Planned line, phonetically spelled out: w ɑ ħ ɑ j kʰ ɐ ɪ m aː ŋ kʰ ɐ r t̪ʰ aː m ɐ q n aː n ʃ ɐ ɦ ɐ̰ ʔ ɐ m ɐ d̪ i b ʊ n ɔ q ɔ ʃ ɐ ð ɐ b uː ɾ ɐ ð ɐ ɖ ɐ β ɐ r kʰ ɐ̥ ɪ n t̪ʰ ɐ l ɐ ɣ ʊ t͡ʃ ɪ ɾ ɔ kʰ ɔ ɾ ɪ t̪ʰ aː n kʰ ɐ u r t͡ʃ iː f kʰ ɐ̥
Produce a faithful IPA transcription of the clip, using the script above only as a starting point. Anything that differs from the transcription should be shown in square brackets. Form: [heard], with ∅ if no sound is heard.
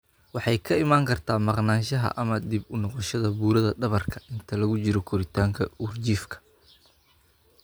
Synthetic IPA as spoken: w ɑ ħ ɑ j kʰ ɐ ɪ m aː ŋ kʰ ɐ r t̪ʰ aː m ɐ q n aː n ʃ ɐ ɦ ɐ̰ ʔ ɐ m ɐ d̪ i b ʊ n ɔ q ɔ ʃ ɐ ð ɐ b uː ɾ ɐ ð ɐ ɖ ɐ β ɐ r kʰ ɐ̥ ɪ n t̪ʰ ɐ l ɐ ɣ ʊ t͡ʃ ɪ ɾ ɔ kʰ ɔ ɾ ɪ t̪ʰ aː [ŋ] kʰ ɐ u r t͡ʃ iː f kʰ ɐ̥